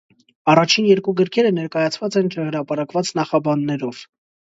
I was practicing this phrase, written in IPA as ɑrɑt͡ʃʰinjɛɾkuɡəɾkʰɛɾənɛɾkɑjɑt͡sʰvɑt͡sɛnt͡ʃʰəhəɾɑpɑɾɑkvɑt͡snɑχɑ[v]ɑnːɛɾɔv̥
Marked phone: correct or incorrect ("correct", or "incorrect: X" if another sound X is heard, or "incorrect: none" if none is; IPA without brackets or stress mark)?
incorrect: b